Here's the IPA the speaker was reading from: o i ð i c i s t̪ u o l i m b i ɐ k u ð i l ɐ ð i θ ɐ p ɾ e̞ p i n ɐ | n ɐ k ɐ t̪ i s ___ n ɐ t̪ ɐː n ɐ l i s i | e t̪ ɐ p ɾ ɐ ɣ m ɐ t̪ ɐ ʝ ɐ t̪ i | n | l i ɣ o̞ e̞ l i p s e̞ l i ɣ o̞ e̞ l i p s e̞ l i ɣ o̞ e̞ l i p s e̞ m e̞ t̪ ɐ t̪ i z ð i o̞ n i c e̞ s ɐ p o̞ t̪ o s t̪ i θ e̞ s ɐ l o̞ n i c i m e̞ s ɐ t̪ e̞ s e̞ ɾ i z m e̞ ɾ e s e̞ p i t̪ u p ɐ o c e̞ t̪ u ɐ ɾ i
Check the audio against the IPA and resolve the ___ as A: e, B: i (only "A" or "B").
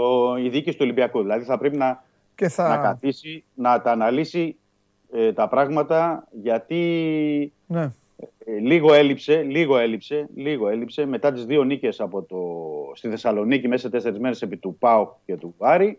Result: B